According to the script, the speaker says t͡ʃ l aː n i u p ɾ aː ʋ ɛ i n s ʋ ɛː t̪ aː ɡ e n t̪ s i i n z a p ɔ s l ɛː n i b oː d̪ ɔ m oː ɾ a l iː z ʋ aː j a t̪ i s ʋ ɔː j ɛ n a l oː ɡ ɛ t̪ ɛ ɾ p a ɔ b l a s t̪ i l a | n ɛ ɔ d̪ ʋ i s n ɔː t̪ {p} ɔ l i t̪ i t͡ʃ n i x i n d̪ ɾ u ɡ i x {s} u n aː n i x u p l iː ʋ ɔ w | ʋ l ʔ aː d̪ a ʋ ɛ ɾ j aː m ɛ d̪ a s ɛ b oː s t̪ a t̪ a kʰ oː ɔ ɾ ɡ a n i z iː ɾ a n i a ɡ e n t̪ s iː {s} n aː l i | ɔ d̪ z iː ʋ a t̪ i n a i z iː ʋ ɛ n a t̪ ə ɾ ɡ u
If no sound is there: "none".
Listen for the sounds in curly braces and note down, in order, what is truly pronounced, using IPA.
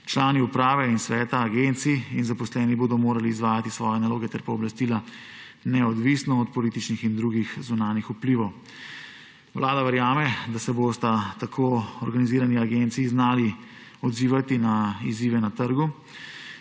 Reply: p, z, z

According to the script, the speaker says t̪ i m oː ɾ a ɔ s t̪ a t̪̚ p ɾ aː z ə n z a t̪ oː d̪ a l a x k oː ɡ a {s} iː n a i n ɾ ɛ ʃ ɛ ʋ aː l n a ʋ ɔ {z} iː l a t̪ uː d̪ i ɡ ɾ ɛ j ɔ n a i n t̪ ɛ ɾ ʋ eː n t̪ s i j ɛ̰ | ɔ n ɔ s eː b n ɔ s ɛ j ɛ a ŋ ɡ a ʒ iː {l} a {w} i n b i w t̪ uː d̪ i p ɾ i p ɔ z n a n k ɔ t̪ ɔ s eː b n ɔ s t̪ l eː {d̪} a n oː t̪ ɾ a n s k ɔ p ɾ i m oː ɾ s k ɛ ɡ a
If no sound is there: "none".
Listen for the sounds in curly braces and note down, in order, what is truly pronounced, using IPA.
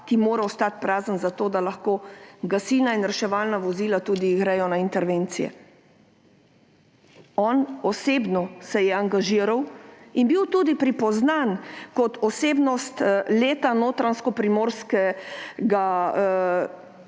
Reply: s, z, ɾ, w, t̪

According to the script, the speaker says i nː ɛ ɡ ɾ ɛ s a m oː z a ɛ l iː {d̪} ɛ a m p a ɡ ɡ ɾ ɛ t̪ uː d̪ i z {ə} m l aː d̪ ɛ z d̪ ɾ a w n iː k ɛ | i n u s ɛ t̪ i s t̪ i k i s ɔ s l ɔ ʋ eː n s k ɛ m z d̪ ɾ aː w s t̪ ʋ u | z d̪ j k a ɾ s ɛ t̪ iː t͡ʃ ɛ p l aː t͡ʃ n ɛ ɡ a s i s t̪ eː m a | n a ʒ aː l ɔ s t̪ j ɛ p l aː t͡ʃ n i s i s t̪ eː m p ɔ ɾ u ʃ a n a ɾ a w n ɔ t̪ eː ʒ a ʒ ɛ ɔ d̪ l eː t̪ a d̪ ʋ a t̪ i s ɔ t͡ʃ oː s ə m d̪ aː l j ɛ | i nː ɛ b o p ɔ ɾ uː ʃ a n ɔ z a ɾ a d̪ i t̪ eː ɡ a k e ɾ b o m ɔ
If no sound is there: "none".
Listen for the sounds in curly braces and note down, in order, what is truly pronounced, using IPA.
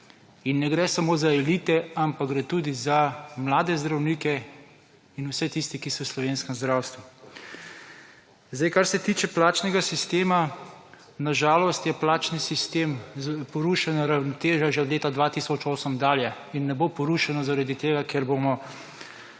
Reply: t̪, a

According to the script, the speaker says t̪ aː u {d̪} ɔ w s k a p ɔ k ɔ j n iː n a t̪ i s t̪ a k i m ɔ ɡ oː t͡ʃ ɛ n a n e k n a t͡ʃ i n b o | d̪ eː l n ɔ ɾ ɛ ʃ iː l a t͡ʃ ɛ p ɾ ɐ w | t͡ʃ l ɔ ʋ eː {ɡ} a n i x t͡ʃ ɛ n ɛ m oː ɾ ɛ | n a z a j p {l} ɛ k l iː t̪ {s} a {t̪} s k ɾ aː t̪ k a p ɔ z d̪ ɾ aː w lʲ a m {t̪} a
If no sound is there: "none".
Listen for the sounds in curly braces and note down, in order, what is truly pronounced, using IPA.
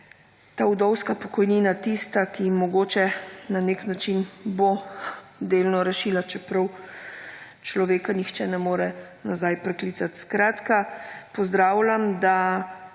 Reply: d̪, k, ɾ, s, t̪, d̪

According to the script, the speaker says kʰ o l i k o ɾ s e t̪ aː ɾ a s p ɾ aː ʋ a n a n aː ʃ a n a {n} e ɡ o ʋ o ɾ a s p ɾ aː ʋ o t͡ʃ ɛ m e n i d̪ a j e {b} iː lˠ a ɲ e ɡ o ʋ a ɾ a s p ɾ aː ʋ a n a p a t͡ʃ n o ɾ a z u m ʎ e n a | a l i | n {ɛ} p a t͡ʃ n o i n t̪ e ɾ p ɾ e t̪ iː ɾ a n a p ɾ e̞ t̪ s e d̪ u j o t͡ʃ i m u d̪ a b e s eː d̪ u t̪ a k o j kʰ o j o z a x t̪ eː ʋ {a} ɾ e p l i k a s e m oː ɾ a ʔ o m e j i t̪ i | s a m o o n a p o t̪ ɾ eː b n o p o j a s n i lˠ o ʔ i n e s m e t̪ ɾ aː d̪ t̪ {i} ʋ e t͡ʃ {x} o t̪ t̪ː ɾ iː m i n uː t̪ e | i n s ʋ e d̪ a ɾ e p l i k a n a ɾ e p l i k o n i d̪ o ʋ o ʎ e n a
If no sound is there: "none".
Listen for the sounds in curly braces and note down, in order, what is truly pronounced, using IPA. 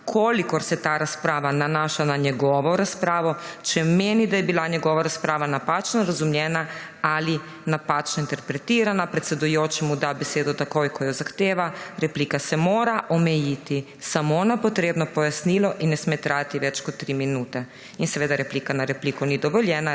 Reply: ɲ, b, a, a, i, k

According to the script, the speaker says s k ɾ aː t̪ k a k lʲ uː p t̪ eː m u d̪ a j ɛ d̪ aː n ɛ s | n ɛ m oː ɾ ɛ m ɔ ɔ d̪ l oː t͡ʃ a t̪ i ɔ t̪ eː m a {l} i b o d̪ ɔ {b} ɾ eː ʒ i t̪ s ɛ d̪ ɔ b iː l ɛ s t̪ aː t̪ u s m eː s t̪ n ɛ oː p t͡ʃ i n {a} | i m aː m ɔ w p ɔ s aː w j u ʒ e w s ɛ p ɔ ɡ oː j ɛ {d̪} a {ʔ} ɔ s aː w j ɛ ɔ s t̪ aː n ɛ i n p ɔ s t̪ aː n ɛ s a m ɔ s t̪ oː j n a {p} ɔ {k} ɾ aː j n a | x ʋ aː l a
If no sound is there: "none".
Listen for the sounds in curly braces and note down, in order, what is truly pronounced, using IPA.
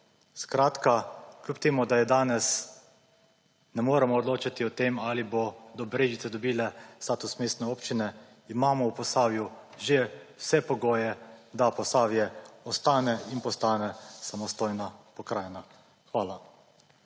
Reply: l, b, ɛ, d̪, p, p, k

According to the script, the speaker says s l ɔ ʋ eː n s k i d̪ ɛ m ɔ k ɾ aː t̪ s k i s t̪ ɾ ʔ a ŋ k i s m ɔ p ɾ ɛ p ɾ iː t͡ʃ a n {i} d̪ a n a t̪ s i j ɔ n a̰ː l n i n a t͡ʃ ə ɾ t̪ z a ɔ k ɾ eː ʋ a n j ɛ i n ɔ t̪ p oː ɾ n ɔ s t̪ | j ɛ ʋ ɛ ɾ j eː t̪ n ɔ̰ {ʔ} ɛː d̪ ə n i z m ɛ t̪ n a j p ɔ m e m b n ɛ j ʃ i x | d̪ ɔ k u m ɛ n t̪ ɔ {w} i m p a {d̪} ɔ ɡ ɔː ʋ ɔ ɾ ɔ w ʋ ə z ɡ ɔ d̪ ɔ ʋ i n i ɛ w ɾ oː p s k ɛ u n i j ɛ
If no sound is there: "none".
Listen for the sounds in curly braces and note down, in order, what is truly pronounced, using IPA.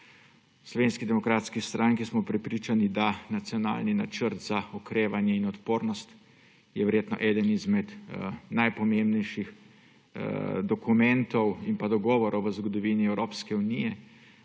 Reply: i, ʔ, w, d̪

